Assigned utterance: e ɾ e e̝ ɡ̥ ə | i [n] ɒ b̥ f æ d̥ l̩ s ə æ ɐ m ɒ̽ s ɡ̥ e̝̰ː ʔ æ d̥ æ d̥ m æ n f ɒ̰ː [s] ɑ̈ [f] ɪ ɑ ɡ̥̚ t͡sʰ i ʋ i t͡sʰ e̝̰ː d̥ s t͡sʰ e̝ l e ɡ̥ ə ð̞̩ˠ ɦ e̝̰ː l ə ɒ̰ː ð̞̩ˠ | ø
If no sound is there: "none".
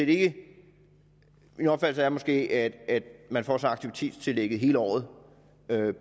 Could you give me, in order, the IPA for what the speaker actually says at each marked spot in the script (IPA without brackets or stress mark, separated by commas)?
n, s, none